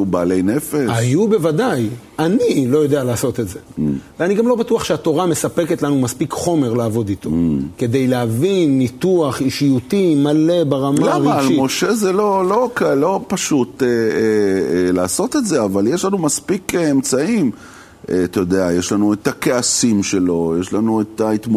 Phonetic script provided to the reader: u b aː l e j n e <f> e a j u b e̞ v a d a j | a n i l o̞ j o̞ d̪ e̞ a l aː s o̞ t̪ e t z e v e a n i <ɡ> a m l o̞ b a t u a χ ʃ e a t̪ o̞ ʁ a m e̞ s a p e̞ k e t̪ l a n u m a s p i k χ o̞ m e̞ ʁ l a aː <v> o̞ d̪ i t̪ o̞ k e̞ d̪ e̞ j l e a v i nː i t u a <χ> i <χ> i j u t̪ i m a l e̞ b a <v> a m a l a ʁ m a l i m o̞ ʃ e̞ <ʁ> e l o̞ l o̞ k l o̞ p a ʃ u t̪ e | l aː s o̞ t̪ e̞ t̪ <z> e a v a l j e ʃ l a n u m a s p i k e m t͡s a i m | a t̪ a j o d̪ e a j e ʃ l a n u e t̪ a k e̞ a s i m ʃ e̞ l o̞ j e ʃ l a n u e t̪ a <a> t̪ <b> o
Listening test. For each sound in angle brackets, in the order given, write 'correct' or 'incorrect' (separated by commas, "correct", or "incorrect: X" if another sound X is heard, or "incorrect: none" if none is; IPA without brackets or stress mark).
correct, correct, correct, correct, incorrect: ʃ, incorrect: ʁ, incorrect: z, correct, incorrect: i, incorrect: m